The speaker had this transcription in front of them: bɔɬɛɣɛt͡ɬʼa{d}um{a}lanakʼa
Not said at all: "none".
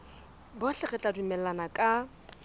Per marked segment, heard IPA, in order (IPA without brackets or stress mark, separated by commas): d, ɛ